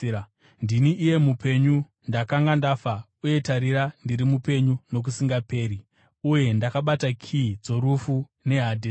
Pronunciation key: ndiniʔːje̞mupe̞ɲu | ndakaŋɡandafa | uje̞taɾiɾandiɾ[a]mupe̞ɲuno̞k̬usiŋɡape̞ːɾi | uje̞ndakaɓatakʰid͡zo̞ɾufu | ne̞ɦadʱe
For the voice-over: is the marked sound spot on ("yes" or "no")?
no